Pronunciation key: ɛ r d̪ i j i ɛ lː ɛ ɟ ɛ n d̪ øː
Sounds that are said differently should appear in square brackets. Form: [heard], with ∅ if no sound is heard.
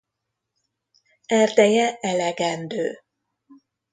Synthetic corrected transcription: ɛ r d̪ [ɛ] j [ɛ] ɛ [l] ɛ [ɡ] ɛ n d̪ øː